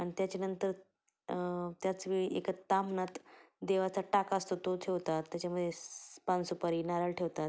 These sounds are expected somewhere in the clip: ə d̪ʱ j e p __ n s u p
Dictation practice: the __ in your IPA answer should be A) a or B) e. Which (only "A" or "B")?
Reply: A